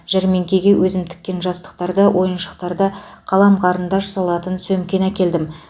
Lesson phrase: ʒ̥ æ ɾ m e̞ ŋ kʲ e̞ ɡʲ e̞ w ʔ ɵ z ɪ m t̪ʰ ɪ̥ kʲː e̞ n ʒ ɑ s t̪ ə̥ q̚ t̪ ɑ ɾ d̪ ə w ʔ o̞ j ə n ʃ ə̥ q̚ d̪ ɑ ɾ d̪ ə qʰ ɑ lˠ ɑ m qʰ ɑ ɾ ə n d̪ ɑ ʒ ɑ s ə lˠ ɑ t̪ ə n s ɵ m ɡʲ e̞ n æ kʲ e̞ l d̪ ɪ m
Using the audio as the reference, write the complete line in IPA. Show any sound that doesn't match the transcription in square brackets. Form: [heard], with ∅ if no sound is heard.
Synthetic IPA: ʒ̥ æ ɾ m e̞ ŋ kʲ e̞ ɡʲ e̞ w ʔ ɵ z ɪ m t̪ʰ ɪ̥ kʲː e̞ n ʒ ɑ s t̪ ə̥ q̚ t̪ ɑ ɾ d̪ ə w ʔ o̞ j ə n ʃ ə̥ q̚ [t̪] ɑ ɾ d̪ ə qʰ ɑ lˠ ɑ m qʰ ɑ ɾ ə n d̪ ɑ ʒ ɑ s [ɑ] lˠ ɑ t̪ ə n s ɵ m [kʲ] e̞ n æ kʲ e̞ l d̪ ɪ m